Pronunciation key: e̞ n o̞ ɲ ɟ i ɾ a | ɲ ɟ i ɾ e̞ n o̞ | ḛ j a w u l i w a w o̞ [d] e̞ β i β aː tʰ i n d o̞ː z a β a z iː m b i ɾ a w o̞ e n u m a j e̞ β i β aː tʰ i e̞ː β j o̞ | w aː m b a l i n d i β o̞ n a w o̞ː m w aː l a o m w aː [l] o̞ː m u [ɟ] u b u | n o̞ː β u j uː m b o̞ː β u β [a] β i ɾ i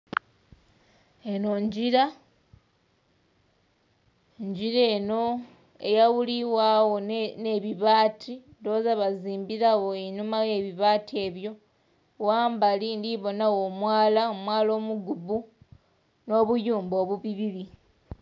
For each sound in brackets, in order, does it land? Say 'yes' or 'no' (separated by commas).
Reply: no, yes, no, no